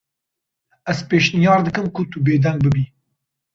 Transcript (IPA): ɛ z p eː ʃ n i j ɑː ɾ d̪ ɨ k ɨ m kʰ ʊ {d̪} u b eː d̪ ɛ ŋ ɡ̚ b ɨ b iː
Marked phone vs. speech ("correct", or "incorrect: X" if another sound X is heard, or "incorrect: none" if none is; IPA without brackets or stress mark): incorrect: t̪